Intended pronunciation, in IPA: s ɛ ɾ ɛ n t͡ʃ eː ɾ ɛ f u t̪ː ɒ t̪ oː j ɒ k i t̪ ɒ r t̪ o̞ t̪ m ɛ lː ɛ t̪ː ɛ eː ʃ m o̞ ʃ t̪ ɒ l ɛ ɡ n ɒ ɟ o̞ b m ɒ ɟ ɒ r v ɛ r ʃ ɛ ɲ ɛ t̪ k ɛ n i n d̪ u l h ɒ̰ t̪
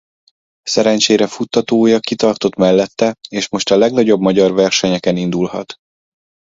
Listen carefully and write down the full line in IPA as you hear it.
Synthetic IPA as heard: s ɛ ɾ ɛ n t͡ʃ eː ɾ ɛ f u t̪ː ɒ t̪ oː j ɒ k i t̪ ɒ r t̪ o̞ t̪ m ɛ lː ɛ t̪ː ɛ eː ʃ m o̞ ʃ t̪ ɒ l ɛ ɡ n ɒ ɟ o̞ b m ɒ ɟ ɒ r v ɛ r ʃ ɛ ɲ ɛ k ɛ n i n d̪ u l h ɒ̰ t̪

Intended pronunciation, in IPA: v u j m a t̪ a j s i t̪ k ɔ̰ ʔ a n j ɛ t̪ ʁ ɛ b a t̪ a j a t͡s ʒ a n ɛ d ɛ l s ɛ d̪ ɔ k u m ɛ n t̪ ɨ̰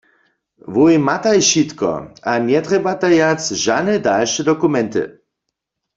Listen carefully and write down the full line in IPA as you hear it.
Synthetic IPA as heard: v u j m a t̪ a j ʃ i t̪ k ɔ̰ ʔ a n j ɛ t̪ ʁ ɛ b a t̪ a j a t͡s ʒ a n ɛ d a l ʃ ɛ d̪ ɔ k u m ɛ n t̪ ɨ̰

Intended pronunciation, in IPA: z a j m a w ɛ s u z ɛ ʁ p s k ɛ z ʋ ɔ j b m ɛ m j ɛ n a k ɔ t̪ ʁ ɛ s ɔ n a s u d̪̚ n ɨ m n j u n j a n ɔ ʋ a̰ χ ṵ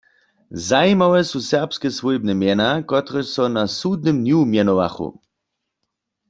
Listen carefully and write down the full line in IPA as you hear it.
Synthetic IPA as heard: z a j m a w ɛ s u s ɛ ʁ p s k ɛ s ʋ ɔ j b n ɛ m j ɛ n a k ɔ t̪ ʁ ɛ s ɔ n a s u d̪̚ n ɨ m n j u m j ɛ n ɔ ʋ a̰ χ ṵ

